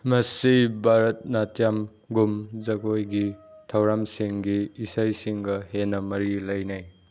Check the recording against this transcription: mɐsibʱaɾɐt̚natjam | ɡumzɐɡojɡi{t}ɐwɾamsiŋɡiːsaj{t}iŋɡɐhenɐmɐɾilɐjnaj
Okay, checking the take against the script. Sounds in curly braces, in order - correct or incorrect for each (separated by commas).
incorrect, incorrect